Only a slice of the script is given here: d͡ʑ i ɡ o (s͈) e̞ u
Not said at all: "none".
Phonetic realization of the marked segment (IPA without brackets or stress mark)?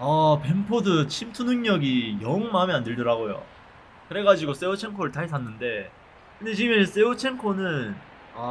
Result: s͈